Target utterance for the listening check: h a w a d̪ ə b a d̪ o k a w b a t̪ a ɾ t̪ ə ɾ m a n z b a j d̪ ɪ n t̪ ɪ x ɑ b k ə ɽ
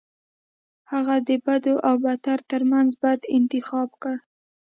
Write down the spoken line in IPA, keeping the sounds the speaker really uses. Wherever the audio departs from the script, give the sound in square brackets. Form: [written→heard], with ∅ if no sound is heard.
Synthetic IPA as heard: h a [w→ɣ] a d̪ ə b a d̪ o [k→ʔ] a w b a t̪ a ɾ t̪ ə ɾ m a n z b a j d̪ ɪ n t̪ ɪ x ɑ b k ə ɽ